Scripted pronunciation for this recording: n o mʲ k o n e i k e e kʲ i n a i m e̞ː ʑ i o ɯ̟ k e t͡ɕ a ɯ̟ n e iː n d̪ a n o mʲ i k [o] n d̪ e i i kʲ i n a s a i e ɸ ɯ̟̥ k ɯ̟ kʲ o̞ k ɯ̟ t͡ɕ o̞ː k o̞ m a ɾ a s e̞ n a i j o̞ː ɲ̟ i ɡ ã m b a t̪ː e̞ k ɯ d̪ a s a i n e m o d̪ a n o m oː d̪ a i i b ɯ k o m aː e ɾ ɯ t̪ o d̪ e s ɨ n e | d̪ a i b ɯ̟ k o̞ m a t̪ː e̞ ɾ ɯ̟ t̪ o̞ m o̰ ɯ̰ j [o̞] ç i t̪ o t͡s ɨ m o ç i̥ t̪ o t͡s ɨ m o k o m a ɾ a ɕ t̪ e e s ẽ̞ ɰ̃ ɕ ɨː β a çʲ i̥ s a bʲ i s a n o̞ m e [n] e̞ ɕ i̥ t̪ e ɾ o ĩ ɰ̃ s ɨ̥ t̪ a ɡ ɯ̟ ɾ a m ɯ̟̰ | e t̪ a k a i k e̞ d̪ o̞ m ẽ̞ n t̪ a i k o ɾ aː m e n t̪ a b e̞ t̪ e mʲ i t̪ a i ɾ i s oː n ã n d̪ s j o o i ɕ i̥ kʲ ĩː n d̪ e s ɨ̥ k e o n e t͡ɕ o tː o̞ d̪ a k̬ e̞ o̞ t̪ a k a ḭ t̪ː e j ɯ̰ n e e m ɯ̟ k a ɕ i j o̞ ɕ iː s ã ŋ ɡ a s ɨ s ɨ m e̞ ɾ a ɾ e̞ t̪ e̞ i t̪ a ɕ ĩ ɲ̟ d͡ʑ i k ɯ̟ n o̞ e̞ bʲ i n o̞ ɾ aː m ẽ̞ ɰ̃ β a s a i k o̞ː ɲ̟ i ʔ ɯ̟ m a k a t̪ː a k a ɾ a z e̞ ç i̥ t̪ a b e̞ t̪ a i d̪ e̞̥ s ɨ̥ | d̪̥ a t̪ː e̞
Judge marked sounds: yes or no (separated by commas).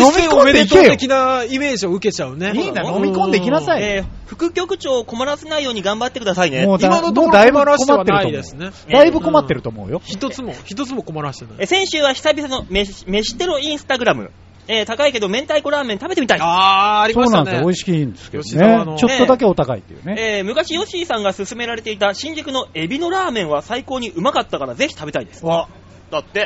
no, yes, no